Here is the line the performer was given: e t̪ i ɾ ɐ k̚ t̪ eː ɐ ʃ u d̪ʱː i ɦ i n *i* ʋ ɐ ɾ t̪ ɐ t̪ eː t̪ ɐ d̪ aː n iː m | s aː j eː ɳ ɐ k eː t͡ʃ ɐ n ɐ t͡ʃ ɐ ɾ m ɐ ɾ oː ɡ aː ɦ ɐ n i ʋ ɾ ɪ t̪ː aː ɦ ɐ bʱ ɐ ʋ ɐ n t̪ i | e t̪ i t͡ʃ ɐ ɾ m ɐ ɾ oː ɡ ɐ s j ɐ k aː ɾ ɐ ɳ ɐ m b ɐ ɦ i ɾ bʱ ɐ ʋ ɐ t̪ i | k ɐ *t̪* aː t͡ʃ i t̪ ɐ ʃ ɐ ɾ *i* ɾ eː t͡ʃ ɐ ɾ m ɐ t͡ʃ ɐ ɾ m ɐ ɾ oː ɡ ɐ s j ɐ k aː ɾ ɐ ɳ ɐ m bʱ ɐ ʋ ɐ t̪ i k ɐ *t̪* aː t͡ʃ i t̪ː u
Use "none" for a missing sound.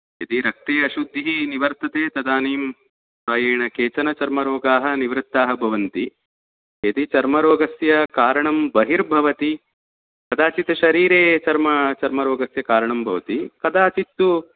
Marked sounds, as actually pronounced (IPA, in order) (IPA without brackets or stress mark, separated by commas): i, d̪, iː, d̪